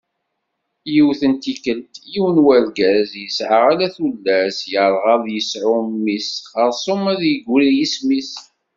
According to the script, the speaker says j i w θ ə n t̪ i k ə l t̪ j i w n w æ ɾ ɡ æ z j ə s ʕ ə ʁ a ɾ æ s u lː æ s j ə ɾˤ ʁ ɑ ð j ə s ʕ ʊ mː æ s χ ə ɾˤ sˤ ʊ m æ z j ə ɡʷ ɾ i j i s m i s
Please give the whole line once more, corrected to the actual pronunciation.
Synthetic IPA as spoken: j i w θ ə n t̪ i k ə l t̪ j i w n w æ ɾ ɡ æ z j ə s ʕ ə ʁ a l æ θ u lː æ s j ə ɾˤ ʁ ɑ ð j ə s ʕ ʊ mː i s χ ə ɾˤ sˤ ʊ m æ ð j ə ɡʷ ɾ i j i s m i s